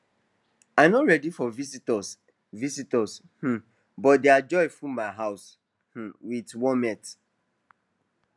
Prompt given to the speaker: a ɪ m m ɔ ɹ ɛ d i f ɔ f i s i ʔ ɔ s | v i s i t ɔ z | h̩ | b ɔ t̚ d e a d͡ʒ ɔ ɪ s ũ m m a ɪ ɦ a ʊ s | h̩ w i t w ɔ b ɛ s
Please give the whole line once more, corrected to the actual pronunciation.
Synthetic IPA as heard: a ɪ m n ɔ ɹ ɛ d i f ɔ v i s i t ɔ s | v i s i t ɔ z | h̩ | b ɔ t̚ d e a d͡ʒ ɔ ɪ f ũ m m a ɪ ɦ a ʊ s | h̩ w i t w ɔ m ɛ t